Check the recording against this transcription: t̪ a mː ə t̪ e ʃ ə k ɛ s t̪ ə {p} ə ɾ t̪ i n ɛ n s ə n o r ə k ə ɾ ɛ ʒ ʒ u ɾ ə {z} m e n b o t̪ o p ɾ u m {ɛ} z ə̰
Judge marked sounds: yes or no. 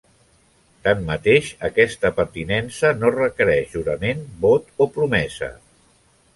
yes, no, yes

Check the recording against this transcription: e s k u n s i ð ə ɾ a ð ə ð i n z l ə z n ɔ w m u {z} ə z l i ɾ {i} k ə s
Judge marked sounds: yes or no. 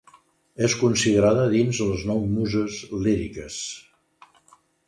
yes, yes

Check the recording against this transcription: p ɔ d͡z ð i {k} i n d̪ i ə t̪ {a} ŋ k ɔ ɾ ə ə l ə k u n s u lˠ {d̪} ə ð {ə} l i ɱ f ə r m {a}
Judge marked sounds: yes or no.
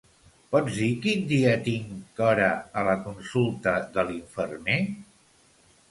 yes, no, no, yes, no

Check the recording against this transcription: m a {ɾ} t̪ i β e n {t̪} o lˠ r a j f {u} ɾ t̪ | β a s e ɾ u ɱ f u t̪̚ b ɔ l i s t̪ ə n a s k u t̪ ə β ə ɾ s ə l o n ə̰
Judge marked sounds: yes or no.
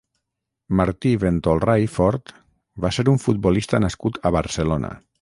yes, yes, no

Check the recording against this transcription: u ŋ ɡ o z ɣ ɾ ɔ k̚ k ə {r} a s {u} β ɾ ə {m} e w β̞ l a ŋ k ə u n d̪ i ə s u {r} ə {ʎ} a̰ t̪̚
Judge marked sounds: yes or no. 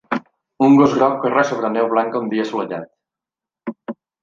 yes, no, no, no, yes

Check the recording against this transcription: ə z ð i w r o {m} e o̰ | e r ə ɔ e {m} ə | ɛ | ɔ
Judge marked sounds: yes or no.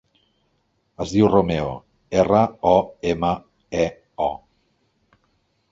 yes, yes

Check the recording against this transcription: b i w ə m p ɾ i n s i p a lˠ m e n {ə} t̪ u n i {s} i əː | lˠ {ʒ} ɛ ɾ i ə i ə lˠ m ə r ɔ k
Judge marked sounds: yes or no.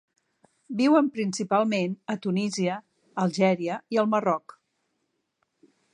yes, no, yes

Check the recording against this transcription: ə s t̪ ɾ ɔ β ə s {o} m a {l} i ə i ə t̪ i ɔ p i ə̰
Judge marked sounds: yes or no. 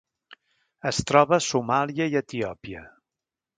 no, yes

